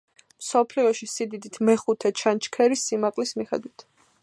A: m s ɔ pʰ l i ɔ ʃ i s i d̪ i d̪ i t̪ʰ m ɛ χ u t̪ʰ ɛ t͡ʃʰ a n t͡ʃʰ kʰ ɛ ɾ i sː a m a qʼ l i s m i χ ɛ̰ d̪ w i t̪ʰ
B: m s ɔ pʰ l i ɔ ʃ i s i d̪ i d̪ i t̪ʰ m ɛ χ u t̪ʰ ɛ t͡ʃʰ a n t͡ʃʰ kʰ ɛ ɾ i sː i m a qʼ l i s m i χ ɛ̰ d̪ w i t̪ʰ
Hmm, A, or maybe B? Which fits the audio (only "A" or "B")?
B